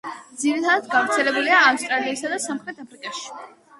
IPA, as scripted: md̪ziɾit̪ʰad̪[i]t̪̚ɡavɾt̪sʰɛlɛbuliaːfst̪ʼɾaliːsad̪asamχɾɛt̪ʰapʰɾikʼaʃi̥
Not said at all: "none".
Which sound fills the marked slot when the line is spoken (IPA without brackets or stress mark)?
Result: a